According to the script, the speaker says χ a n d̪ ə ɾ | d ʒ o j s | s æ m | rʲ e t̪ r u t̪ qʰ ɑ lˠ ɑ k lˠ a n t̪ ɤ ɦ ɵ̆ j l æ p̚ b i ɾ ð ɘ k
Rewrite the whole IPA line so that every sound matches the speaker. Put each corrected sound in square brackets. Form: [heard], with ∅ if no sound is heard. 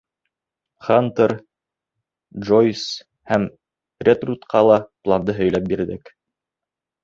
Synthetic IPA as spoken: χ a n [t̪] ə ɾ | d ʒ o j s | [h] æ m | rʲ e t̪ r u t̪ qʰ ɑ lˠ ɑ [p] lˠ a n [d̪] ɤ ɦ ɵ̆ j l æ p̚ b i ɾ ð ɘ k

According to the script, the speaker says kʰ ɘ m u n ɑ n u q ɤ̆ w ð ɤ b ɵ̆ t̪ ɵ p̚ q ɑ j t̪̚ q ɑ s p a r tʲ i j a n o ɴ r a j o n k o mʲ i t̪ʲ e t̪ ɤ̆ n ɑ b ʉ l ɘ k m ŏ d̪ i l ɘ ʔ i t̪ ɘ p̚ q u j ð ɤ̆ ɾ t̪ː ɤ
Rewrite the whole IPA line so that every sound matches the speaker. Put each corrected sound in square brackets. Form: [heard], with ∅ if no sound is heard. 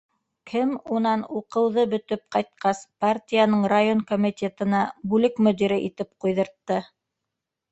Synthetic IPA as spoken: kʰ ɘ m u n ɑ n u q ɤ̆ w ð ɤ b ɵ̆ t̪ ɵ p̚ q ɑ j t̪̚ q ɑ s p a r tʲ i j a n [ɤ] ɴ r a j o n k o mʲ i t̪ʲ e t̪ ɤ̆ n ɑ b ʉ l ɘ k m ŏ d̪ i [ɾ] ɘ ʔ i t̪ ɘ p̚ q u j ð ɤ̆ ɾ t̪ː ɤ

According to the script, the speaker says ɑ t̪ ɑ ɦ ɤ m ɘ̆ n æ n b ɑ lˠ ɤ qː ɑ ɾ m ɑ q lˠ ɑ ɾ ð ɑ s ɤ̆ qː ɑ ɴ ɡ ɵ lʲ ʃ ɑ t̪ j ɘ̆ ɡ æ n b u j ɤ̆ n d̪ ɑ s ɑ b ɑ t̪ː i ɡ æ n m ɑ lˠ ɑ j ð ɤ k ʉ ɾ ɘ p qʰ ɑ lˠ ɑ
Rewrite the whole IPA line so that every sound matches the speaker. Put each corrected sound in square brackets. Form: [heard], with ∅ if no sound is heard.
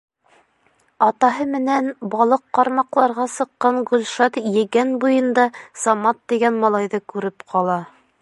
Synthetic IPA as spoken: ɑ t̪ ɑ ɦ ɤ m ɘ̆ n æ n b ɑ lˠ ɤ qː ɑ ɾ m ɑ q lˠ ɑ ɾ [ʁ] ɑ s ɤ̆ qː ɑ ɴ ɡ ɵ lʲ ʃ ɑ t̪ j ɘ̆ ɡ æ n b u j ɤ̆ n d̪ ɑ s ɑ [m] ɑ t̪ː i ɡ æ n m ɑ lˠ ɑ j ð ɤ k ʉ ɾ ɘ p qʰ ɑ lˠ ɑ

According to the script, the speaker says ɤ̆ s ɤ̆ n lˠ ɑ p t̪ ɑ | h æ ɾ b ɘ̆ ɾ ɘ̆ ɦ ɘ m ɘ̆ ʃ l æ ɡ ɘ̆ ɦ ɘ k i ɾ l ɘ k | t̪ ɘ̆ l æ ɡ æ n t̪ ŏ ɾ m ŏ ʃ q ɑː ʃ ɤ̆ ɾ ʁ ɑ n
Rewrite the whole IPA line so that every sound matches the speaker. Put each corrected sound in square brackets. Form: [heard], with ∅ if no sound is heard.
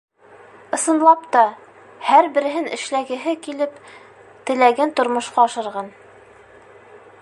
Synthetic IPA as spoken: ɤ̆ s ɤ̆ n lˠ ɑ p t̪ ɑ | h æ ɾ b ɘ̆ ɾ ɘ̆ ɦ ɘ [n] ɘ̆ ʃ l æ ɡ ɘ̆ ɦ ɘ k i [∅] l ɘ [p] | t̪ ɘ̆ l æ ɡ æ n t̪ ŏ ɾ m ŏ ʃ q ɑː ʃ ɤ̆ ɾ ʁ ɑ n

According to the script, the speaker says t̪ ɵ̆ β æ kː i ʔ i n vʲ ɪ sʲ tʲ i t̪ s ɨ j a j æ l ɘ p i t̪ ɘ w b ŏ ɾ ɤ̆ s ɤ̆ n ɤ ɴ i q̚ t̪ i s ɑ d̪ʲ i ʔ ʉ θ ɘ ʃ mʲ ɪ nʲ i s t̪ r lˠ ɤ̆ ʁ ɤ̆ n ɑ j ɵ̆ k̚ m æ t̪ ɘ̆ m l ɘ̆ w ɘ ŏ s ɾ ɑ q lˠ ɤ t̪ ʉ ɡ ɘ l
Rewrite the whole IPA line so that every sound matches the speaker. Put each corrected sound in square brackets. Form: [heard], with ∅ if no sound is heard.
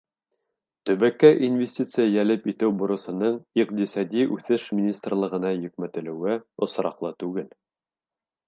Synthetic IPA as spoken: t̪ ɵ̆ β æ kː [æ] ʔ i n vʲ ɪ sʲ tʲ i t̪ s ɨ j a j æ l ɘ p i t̪ ɘ w b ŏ ɾ ɤ̆ s ɤ̆ n ɤ ɴ i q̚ t̪ i s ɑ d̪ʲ i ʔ ʉ θ ɘ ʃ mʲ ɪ nʲ i s t̪ r lˠ ɤ̆ ʁ ɤ̆ n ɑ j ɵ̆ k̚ m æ t̪ ɘ̆ [∅] l ɘ̆ w ɘ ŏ s ɾ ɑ q lˠ ɤ t̪ ʉ ɡ ɘ l

